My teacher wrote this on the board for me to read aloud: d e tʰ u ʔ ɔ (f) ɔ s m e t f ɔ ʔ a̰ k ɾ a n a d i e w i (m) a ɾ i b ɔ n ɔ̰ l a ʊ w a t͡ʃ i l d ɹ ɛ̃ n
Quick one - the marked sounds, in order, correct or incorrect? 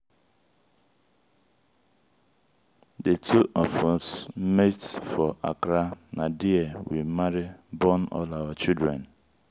correct, correct

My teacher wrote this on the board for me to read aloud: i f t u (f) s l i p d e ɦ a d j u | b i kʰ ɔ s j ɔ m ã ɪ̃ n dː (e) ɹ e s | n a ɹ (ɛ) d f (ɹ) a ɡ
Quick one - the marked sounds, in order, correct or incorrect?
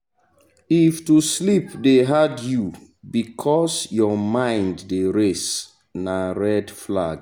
incorrect, correct, correct, incorrect

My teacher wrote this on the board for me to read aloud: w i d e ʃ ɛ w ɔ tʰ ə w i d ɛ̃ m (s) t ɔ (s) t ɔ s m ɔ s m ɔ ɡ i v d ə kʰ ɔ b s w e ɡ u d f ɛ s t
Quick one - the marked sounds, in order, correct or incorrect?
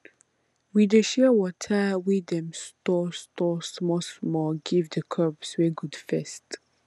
correct, correct

